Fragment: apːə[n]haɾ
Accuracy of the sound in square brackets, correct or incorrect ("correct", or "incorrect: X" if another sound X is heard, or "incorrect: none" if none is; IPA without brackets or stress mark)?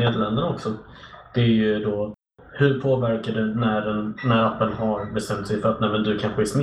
correct